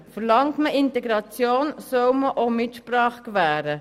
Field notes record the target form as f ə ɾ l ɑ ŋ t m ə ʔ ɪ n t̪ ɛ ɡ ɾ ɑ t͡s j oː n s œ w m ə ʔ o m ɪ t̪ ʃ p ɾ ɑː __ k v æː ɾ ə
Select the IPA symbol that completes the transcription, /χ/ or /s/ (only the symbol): χ